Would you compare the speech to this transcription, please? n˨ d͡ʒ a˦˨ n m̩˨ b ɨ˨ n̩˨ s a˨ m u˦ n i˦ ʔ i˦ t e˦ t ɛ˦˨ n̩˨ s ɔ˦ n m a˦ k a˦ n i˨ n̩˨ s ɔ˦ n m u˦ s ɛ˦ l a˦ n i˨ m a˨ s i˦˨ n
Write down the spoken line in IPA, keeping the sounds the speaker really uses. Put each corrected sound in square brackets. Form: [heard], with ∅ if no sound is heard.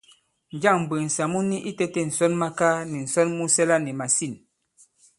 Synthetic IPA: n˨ d͡ʒ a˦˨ [ŋ] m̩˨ b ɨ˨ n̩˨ s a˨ m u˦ n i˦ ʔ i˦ t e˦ t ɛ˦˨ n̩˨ s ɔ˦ n m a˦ k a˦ n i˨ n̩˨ s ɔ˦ n m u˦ s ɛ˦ l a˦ n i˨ m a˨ s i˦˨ n